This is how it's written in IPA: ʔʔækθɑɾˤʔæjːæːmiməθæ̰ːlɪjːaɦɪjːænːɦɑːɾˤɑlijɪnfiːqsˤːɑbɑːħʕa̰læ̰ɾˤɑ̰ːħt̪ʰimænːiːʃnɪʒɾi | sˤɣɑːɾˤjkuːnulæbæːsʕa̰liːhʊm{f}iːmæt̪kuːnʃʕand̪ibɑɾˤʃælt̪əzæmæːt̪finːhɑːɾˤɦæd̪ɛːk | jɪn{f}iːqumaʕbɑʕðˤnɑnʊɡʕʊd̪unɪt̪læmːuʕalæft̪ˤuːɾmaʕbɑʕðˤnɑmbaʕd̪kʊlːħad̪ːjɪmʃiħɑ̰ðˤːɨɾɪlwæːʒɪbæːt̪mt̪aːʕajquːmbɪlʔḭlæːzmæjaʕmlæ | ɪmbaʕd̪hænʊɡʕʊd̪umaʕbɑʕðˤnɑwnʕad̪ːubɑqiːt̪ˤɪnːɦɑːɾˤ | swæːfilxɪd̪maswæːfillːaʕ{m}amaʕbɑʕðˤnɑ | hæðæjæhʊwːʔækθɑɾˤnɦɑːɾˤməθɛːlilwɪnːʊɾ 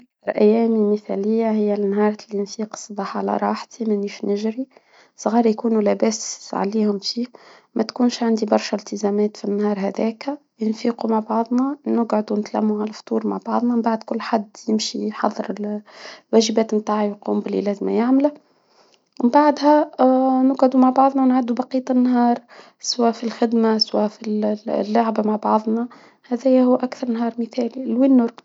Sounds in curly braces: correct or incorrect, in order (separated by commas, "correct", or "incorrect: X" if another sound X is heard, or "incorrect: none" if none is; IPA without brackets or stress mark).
correct, correct, incorrect: b